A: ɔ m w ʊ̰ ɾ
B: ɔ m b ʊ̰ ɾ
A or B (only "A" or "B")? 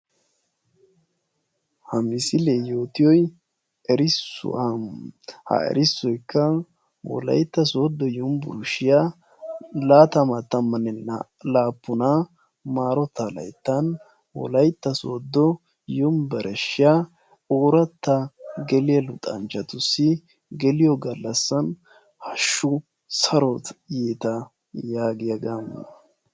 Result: B